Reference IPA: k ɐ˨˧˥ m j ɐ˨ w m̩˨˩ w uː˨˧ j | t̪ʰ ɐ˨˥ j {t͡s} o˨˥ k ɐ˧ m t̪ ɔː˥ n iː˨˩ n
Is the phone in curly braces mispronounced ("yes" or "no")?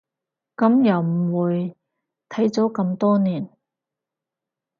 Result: no